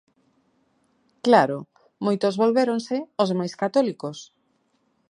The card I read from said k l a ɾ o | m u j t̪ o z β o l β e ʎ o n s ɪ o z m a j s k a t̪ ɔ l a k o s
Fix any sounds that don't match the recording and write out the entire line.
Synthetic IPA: k l a ɾ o | m o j t̪ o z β o l β e ɾ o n s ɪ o z m a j s k a t̪ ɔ l i k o s